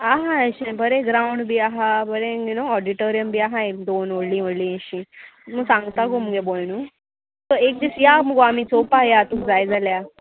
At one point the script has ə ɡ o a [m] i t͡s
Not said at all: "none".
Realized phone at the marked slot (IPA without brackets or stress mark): m